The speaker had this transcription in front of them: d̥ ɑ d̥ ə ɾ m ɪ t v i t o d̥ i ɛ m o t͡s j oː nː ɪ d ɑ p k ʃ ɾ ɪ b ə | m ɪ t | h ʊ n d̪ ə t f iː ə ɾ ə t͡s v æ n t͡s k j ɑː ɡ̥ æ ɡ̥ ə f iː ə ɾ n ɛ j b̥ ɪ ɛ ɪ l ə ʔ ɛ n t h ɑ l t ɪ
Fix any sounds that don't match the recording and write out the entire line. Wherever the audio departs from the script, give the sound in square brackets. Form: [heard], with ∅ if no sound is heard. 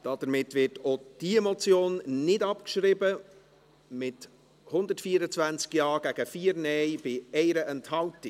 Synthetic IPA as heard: d̥ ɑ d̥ ə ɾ m ɪ t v [ɪ] t o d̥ i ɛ m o t͡s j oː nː ɪ d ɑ p k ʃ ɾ ɪ b ə | m ɪ t | h ʊ n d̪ ə t f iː ə ɾ ə t͡s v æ n t͡s k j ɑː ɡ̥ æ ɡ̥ ə f iː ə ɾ n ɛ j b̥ ɪ ɛ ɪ [ɾ] ə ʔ ɛ n t h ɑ l t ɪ